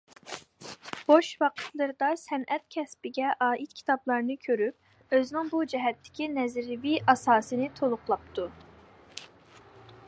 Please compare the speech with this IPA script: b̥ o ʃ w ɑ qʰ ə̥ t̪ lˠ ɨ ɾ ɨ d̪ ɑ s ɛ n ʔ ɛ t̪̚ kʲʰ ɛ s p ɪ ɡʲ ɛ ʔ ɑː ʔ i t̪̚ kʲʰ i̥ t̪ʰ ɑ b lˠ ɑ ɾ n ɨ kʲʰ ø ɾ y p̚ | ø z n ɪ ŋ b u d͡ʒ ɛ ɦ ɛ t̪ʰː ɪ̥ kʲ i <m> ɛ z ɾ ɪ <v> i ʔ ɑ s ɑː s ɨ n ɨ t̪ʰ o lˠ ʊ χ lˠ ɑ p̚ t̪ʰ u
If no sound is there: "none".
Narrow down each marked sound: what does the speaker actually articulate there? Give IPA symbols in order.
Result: n, v

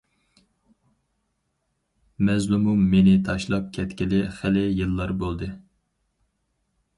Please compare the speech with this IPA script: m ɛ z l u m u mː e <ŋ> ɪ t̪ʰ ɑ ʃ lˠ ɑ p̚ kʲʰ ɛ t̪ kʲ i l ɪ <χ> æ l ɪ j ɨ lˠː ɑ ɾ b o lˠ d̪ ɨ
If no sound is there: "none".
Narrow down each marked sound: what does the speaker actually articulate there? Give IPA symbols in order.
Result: n, χ

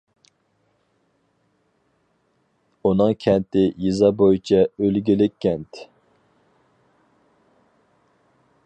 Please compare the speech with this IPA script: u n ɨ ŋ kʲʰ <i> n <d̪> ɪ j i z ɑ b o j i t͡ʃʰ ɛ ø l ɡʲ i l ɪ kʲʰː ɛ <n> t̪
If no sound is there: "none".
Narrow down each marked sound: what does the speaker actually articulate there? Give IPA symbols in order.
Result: ɛ, t̪, n

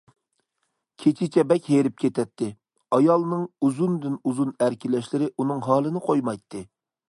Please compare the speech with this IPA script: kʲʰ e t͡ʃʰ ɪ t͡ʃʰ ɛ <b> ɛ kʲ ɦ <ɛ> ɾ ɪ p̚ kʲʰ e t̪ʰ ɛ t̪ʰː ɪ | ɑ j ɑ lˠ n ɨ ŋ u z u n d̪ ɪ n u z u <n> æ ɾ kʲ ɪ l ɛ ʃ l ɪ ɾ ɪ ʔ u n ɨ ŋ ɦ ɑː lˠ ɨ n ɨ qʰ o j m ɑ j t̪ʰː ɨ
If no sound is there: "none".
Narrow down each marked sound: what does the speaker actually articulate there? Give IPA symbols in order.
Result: b, e, n

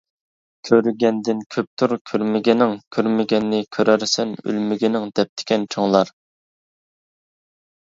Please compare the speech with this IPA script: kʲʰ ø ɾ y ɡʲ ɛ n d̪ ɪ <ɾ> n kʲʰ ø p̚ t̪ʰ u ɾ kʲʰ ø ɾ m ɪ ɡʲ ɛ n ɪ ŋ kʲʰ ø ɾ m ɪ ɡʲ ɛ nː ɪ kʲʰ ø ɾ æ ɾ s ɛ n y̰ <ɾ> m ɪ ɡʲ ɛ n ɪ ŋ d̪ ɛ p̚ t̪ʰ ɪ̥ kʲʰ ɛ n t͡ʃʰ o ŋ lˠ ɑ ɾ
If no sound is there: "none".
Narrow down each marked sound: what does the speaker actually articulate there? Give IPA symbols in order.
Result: none, l

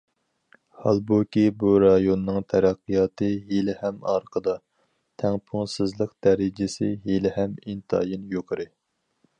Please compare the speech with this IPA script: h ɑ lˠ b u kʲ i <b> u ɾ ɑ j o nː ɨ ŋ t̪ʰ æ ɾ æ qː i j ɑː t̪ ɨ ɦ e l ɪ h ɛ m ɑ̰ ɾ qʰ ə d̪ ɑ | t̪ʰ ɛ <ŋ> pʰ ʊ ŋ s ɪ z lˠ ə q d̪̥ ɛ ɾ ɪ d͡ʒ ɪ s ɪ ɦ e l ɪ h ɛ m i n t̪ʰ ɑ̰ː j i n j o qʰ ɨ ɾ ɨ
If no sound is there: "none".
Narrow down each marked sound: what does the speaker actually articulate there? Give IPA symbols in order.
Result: b, ŋ

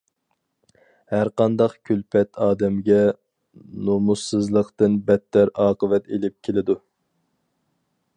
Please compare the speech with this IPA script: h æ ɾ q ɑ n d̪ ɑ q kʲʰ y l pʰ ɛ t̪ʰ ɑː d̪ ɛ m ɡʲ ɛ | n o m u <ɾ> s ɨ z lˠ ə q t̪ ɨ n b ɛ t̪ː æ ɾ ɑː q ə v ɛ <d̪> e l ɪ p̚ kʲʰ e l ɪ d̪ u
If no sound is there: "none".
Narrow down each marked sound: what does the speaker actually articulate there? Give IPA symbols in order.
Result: none, t̪

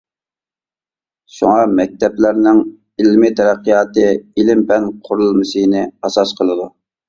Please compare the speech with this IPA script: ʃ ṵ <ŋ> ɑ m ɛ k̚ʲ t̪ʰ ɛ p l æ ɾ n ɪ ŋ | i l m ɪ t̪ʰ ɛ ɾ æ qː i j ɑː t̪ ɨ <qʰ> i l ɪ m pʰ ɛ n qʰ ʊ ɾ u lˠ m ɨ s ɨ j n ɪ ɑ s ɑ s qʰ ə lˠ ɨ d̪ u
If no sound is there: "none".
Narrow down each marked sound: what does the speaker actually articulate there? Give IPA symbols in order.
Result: ŋ, none

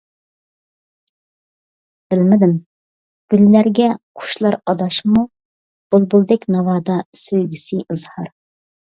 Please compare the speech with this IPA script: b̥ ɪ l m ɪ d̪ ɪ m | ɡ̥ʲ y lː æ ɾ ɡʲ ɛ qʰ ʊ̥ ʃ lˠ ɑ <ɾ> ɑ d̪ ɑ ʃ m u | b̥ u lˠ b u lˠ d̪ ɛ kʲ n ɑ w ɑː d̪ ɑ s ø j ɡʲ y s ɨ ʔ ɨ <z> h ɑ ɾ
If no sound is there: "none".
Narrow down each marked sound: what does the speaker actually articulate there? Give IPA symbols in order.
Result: ɾ, z

